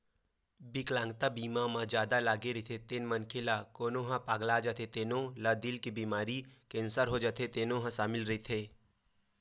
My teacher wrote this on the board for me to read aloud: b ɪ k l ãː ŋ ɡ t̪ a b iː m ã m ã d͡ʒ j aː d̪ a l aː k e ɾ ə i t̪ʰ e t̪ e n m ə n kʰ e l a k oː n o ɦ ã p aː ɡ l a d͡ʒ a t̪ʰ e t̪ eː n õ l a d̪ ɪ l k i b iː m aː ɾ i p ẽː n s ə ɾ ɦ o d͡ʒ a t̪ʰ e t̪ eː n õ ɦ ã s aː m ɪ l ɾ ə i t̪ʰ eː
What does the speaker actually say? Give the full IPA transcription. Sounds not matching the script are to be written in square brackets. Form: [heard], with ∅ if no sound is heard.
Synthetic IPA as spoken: b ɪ k l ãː ŋ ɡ t̪ a b iː m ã m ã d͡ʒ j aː d̪ a l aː [ɡ] e ɾ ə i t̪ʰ e t̪ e n m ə n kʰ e l a k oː n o ɦ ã p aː ɡ l a d͡ʒ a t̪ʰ e t̪ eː n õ l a d̪ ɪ l k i b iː m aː ɾ i [k] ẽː n s ə ɾ ɦ o d͡ʒ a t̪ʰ e t̪ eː n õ ɦ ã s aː m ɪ l ɾ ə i t̪ʰ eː

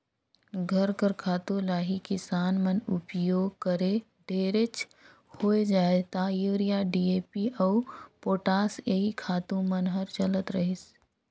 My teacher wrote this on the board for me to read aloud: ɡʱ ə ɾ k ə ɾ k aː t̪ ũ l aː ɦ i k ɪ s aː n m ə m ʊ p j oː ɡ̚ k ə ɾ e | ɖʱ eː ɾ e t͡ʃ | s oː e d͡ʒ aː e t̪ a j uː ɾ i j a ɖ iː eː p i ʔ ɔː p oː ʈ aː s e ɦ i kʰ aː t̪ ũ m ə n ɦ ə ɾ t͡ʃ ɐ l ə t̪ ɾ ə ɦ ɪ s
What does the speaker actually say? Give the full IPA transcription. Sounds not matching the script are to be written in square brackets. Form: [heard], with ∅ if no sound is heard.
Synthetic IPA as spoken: ɡʱ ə ɾ k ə ɾ [kʰ] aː t̪ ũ l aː ɦ i k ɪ s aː n m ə [n] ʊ p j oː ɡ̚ k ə ɾ e | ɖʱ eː ɾ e t͡ʃ | [h] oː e d͡ʒ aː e t̪ a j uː ɾ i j a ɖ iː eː p i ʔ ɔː p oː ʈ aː s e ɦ i kʰ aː t̪ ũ m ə n ɦ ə ɾ t͡ʃ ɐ l ə t̪ ɾ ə ɦ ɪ s

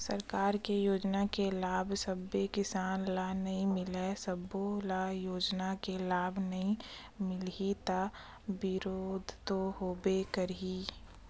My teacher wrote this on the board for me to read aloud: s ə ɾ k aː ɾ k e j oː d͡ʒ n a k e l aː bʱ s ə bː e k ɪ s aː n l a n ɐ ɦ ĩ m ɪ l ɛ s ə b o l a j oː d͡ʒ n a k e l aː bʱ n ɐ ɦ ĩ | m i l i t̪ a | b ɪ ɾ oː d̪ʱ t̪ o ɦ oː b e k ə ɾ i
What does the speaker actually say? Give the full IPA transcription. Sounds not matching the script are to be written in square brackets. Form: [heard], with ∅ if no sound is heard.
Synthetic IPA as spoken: s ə ɾ k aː ɾ k e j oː d͡ʒ n a k e l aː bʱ s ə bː e k ɪ s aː n l a n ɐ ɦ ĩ m ɪ l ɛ s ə b o l a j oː d͡ʒ n a k e l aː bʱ n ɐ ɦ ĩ | m [ɪ] l i t̪ a | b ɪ ɾ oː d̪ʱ t̪ o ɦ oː b e k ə ɾ i

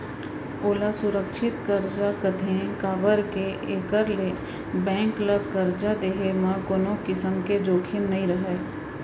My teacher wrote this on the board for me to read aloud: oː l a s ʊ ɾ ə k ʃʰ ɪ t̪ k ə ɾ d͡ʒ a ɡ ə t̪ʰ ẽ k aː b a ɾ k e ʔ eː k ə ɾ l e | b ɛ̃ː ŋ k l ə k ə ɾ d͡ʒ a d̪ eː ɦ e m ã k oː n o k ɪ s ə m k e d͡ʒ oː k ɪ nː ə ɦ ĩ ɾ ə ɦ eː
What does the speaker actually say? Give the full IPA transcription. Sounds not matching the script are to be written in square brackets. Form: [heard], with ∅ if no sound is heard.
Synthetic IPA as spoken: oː l a s ʊ ɾ ə k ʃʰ ɪ t̪ k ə ɾ d͡ʒ a [k] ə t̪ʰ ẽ k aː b [ə] ɾ k e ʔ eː k ə ɾ l e | b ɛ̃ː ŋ k l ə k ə ɾ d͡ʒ a d̪ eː ɦ e m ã k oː n o k ɪ s ə m k e d͡ʒ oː [kʰ] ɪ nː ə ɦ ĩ ɾ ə ɦ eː

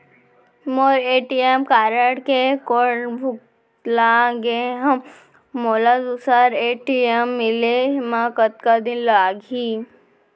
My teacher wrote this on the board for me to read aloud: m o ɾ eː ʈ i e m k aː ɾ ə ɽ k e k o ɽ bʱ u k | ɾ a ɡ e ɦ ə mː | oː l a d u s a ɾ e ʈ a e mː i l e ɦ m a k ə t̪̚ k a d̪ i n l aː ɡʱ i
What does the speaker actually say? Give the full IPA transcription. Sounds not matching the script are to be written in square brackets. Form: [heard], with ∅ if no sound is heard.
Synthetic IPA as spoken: m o ɾ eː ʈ i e m k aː ɾ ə ɽ k e k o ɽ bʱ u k | [l] a ɡ e ɦ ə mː | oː l a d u s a ɾ e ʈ [i] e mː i l e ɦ m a k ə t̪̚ k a d̪ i n l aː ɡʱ i

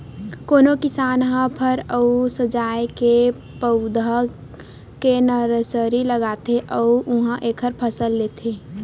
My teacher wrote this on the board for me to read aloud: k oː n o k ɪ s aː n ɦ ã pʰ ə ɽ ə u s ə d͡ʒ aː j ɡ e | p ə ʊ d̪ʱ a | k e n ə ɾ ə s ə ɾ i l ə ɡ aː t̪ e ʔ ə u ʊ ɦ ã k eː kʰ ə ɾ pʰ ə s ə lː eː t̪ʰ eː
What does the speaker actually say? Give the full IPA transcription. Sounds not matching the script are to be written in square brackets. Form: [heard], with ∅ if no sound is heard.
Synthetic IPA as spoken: k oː n o k ɪ s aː n ɦ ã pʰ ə [ɾ] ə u s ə d͡ʒ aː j [k] e | p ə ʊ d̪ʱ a | k e n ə ɾ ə s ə ɾ i l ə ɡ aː t̪ e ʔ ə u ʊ ɦ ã [ʔ] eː kʰ ə ɾ pʰ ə s ə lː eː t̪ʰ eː

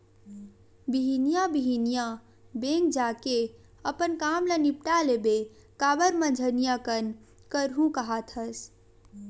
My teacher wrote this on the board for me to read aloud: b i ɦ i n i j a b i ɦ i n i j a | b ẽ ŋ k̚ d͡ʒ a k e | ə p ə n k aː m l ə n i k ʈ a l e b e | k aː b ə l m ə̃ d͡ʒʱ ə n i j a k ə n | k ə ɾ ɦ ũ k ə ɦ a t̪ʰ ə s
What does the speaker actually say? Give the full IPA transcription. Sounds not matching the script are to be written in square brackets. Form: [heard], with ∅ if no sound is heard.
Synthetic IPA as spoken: b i ɦ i n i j a b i ɦ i n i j a | b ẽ ŋ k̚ d͡ʒ a k e | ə p ə n k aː m l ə n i [p] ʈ a l e b e | k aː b ə [ɾ] m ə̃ d͡ʒʱ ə n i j a k ə n | k ə ɾ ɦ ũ k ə ɦ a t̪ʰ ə s

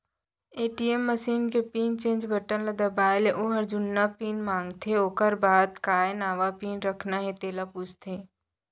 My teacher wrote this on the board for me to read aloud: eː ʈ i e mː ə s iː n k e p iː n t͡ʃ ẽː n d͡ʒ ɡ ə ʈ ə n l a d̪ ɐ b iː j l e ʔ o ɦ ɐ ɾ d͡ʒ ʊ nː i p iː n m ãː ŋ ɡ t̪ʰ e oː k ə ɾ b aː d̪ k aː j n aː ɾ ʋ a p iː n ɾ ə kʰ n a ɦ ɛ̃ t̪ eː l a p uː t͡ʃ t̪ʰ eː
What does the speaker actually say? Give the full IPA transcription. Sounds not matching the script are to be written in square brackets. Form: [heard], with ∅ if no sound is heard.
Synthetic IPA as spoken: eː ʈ i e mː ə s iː n k e p iː n t͡ʃ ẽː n d͡ʒ [b] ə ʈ ə n l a d̪ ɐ b [aː] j l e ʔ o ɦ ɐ ɾ d͡ʒ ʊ nː [a] p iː n m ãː ŋ ɡ t̪ʰ e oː k ə ɾ b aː d̪ k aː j n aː [∅] ʋ a p iː n ɾ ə kʰ n a ɦ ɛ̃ t̪ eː l a p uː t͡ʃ t̪ʰ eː

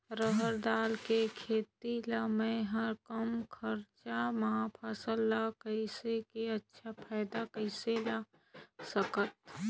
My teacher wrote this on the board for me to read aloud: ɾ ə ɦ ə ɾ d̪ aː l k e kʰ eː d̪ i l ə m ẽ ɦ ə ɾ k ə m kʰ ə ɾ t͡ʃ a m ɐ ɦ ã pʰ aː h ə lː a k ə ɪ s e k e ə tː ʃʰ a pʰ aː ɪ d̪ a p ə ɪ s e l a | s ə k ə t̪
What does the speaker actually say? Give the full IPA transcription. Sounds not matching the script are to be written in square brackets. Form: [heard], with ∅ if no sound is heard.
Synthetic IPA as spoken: ɾ ə ɦ ə ɾ d̪ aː l k e kʰ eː [t̪] i l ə m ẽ ɦ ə ɾ k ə m kʰ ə ɾ t͡ʃ a m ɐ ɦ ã pʰ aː [s] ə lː a k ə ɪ s e k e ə tː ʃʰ a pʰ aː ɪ d̪ a [k] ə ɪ s e l a | s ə k ə t̪

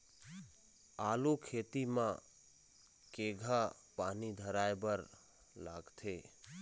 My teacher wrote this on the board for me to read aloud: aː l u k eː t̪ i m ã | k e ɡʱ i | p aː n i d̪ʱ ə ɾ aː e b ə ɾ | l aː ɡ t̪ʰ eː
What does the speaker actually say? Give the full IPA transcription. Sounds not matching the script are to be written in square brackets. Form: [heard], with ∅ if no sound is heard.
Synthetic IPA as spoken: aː l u [kʰ] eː t̪ i m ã | k e ɡʱ [a] | p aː n i d̪ʱ ə ɾ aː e b ə ɾ | l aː ɡ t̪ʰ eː

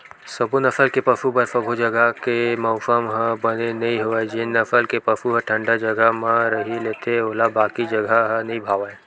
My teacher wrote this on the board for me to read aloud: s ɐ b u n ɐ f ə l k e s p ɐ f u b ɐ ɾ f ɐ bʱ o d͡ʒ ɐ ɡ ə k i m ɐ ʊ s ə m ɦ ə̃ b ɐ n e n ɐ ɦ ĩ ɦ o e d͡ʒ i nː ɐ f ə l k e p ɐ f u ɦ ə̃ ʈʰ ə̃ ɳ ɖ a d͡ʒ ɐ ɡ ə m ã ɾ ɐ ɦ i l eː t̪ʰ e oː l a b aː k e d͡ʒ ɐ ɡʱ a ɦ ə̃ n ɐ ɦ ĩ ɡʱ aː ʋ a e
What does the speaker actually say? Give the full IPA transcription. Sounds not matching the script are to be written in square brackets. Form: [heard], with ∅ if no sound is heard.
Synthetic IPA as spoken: s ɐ b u n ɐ f ə l k e [∅] p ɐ f u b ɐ ɾ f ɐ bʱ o d͡ʒ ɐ ɡ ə k [e] m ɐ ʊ s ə m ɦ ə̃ b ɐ n e n ɐ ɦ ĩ ɦ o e d͡ʒ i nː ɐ f ə l k e p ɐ f u ɦ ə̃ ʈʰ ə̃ ɳ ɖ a d͡ʒ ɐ ɡ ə m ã ɾ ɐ ɦ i l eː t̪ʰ e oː l a b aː k [i] d͡ʒ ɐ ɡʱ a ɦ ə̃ n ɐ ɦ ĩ [bʱ] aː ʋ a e

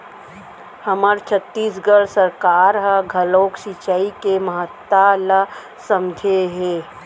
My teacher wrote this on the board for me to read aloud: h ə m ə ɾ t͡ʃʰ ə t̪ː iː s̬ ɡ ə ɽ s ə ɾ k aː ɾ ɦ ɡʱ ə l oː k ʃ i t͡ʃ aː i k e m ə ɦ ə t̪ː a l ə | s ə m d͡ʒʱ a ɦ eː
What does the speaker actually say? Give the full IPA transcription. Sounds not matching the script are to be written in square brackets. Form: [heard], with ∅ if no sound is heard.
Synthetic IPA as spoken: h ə m ə ɾ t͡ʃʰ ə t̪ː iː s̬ ɡ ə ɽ s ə ɾ k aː ɾ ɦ ɡʱ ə l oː k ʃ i t͡ʃ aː i k e m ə ɦ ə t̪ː a l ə | s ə m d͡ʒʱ [e] ɦ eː

